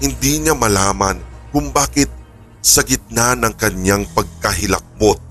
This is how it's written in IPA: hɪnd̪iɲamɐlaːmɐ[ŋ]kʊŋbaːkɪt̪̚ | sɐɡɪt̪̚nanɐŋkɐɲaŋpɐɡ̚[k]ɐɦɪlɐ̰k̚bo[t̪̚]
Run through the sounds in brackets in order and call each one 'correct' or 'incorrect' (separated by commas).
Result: incorrect, correct, correct